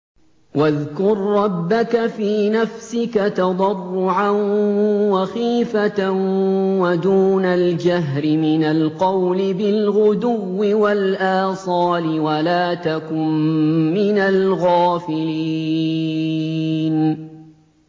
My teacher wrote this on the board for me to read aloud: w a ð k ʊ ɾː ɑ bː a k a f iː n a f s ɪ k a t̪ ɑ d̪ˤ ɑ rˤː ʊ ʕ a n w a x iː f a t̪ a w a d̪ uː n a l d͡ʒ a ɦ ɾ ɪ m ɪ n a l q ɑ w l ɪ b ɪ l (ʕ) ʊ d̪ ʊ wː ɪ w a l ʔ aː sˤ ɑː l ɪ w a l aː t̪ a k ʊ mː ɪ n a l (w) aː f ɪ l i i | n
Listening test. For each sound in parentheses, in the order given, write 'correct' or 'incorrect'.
incorrect: ɣ, incorrect: ɣ

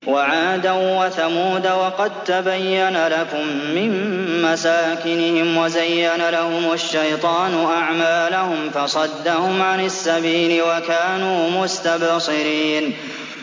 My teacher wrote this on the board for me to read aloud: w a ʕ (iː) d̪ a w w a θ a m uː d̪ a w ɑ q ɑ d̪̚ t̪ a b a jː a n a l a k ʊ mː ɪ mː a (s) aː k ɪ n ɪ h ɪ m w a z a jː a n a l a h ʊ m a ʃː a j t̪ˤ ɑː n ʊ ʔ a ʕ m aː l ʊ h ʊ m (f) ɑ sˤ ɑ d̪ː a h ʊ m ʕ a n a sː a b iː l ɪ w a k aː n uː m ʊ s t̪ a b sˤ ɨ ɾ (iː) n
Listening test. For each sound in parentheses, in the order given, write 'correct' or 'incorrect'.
incorrect: aː, correct, correct, correct

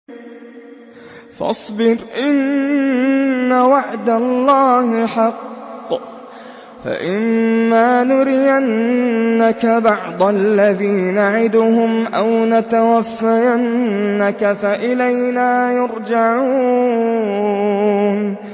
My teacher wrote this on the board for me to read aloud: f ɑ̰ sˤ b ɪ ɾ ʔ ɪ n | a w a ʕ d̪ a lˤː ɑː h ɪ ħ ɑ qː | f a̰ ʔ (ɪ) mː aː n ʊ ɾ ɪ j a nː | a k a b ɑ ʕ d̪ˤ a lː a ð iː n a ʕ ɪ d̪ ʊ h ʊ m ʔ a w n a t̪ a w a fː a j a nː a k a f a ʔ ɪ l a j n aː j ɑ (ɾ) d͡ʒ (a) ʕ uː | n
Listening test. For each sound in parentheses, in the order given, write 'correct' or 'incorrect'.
correct, correct, correct

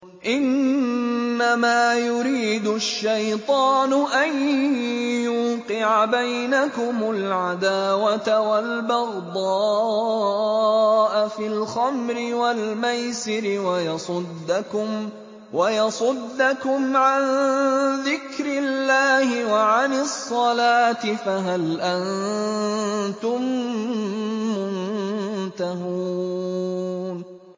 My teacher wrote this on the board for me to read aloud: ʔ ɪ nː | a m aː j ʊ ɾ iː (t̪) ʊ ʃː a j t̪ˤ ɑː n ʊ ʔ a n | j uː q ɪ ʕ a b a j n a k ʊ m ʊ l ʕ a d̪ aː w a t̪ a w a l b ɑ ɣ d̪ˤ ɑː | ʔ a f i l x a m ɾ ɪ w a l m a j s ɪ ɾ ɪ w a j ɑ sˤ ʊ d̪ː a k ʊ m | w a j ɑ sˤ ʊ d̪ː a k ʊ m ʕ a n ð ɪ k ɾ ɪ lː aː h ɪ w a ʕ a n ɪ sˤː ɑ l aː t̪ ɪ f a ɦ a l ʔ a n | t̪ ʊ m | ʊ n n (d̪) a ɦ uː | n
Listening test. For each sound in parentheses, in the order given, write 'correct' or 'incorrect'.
incorrect: d̪, incorrect: t̪

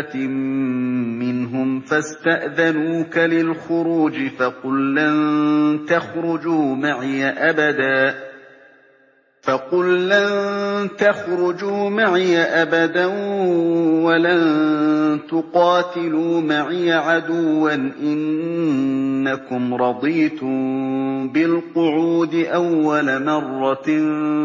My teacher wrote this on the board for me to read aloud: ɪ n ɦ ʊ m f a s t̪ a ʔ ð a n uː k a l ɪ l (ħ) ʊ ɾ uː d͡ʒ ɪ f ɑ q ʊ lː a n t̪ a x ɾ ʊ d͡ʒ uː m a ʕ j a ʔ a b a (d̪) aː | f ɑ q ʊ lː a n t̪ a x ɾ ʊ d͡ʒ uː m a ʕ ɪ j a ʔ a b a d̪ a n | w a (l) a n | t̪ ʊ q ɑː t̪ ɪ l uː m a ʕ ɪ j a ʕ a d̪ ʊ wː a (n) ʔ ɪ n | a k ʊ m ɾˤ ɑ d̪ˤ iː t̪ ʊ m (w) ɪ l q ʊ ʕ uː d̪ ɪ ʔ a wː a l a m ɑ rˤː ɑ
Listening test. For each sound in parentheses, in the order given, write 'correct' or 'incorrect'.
incorrect: x, correct, correct, correct, incorrect: b

